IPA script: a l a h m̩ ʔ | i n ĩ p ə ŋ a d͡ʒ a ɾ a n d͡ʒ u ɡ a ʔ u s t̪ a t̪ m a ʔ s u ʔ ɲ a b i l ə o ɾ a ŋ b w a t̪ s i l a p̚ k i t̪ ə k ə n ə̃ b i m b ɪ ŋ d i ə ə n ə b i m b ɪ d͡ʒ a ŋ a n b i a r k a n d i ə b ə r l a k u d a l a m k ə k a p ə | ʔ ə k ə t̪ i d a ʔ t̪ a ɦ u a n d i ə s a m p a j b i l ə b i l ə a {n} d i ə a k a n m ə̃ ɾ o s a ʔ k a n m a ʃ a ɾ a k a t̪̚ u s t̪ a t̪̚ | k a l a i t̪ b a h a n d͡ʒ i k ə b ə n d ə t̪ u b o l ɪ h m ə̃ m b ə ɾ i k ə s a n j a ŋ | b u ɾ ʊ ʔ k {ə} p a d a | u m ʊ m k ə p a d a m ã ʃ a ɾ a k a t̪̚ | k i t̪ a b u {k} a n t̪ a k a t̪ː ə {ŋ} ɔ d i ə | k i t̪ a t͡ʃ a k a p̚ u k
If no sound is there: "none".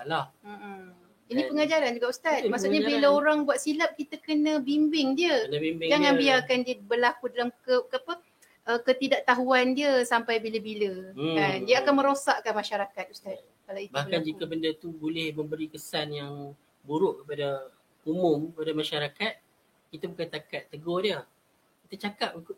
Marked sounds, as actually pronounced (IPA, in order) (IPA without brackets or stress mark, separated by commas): n, ə, k, ɡ